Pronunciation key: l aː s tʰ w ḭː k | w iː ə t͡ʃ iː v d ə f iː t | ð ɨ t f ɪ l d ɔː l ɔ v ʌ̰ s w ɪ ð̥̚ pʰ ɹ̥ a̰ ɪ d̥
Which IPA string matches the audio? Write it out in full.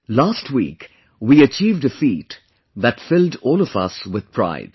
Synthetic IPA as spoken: l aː s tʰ w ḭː k | w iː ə t͡ʃ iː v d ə f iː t | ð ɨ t f ɪ l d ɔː l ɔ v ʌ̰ s w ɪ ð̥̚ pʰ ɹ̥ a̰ ɪ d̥